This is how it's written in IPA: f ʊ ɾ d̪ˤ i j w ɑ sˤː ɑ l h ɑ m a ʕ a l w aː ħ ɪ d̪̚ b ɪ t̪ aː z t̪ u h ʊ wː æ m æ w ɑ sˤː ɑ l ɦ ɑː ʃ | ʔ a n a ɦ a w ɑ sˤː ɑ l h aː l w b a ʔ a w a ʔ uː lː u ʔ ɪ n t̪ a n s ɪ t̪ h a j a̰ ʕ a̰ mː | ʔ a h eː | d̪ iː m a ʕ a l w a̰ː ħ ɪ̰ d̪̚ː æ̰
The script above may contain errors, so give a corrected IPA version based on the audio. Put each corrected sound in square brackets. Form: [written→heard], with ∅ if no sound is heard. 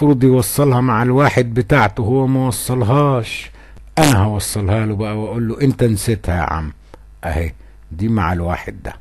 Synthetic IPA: f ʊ ɾ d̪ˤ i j w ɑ sˤː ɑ l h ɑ m a ʕ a l w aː ħ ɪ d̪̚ b ɪ t̪ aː [z→ʕ] t̪ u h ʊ wː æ m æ w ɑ sˤː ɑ l ɦ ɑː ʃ | ʔ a n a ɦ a w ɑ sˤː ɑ l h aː l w b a ʔ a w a ʔ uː lː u ʔ ɪ n t̪ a n s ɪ t̪ h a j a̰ ʕ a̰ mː | ʔ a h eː | d̪ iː m a ʕ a l w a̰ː ħ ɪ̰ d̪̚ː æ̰